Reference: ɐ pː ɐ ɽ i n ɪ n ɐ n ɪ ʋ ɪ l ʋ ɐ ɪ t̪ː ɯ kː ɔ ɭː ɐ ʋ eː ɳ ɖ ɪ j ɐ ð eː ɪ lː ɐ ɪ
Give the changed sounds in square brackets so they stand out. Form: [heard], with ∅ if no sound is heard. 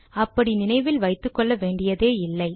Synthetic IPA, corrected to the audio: ɐ pː ɐ ɽ i n ɪ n ɐ [∅] ɪ ʋ ɪ l ʋ ɐ ɪ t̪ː ɯ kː ɔ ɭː ɐ ʋ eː ɳ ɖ ɪ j ɐ ð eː ɪ lː ɐ ɪ